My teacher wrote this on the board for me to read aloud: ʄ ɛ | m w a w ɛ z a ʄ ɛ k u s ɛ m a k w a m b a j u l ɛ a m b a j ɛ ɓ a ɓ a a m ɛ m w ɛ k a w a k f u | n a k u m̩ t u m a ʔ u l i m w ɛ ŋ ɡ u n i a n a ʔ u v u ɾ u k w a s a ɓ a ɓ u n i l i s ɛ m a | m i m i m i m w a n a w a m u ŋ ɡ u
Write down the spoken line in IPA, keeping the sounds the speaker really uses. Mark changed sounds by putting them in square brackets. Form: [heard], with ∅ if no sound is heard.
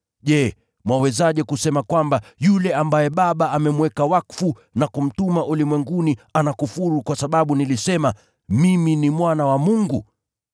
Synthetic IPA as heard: ʄ ɛ | m w a w ɛ z a ʄ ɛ k u s ɛ m a k w a m b a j u l ɛ a m b a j ɛ ɓ a ɓ a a m ɛ m w ɛ k a w a k f u | n a k u m̩ t u m a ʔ u l i m w ɛ ŋ ɡ u n i a n a [k] u [f] u ɾ u k w a s a ɓ a ɓ u n i l i s ɛ m a | m i m i [n] i m w a n a w a m u ŋ ɡ u